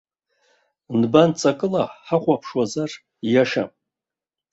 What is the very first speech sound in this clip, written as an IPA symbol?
n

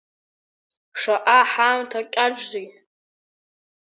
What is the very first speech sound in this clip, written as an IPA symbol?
ʂ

